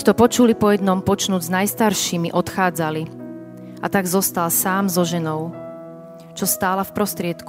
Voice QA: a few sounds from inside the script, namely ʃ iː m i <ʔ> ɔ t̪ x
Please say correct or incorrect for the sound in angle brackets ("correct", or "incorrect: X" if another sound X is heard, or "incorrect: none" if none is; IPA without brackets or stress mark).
correct